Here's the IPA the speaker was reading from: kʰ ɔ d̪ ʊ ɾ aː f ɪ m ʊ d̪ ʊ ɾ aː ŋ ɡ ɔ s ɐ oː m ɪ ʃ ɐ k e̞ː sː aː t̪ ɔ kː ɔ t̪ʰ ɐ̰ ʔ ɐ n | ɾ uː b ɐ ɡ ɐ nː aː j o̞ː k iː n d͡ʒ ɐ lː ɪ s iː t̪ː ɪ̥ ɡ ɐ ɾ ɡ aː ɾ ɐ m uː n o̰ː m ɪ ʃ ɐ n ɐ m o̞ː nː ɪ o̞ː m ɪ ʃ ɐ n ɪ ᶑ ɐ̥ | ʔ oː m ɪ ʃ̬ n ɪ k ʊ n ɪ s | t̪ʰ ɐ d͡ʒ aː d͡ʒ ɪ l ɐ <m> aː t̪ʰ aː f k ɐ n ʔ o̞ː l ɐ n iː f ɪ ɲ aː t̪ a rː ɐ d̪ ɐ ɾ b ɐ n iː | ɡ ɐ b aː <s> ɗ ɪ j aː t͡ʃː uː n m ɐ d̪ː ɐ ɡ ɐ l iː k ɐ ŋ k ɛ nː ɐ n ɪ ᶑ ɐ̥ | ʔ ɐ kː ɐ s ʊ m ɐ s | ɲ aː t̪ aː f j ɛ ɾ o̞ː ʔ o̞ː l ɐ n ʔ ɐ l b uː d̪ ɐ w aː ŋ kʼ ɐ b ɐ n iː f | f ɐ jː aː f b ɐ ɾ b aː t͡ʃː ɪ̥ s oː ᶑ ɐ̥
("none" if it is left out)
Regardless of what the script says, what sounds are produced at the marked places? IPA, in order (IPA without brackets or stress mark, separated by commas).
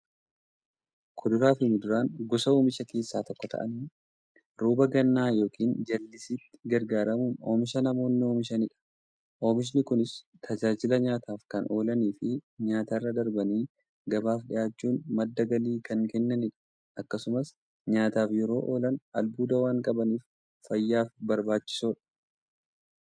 ɲ, f